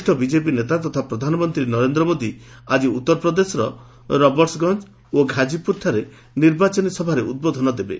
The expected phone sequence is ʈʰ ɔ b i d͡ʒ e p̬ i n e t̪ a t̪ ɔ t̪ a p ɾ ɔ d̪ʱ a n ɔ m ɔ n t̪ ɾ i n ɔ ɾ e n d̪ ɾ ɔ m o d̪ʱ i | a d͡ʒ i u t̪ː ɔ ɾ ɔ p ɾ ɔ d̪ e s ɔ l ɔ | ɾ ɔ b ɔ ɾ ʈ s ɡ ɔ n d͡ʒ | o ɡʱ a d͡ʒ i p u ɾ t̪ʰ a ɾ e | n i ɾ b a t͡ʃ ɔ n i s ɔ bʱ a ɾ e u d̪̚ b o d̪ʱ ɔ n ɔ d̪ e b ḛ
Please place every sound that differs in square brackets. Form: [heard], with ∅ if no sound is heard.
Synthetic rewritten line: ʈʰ ɔ b i d͡ʒ e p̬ i n e t̪ a t̪ ɔ [t̪ʰ] a p ɾ ɔ d̪ʱ a n ɔ m ɔ n t̪ ɾ i n ɔ ɾ e n d̪ ɾ ɔ m o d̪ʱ i | a d͡ʒ i u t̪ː ɔ ɾ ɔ p ɾ ɔ d̪ e s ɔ [ɾ] ɔ | ɾ ɔ b ɔ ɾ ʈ s ɡ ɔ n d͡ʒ | o ɡʱ a d͡ʒ i p u ɾ t̪ʰ a ɾ e | n i ɾ b a t͡ʃ ɔ n i s ɔ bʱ a ɾ e u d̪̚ b o d̪ʱ ɔ n ɔ d̪ e b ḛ